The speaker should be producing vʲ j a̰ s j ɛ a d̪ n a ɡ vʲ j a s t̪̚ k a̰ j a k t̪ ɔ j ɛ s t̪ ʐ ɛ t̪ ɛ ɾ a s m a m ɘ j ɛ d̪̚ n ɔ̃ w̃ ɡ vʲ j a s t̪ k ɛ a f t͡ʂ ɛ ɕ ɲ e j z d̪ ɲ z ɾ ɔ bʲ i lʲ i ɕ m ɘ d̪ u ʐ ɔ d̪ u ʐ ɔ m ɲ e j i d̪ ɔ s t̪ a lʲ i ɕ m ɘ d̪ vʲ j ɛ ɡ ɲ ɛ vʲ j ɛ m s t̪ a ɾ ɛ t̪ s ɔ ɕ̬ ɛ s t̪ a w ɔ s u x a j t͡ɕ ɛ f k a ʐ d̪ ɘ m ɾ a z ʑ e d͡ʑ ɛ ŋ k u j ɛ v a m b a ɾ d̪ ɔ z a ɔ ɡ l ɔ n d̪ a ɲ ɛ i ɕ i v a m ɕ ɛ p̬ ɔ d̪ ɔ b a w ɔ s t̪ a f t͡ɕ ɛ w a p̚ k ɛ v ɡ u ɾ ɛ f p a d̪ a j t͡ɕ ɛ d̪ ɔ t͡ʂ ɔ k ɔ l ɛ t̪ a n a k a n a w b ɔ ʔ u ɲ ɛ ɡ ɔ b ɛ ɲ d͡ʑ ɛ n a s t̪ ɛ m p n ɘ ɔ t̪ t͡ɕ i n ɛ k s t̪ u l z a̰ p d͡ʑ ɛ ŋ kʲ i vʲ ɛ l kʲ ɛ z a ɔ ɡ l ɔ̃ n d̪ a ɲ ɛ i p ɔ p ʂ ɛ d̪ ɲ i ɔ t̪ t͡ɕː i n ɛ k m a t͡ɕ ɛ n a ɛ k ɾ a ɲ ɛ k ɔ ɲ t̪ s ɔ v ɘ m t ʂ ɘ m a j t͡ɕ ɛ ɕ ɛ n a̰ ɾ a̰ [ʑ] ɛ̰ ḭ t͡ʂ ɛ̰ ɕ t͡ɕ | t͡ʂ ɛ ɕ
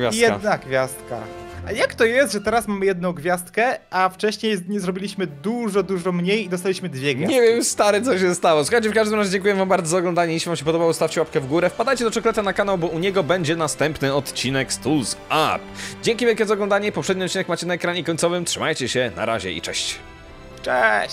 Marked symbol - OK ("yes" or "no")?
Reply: yes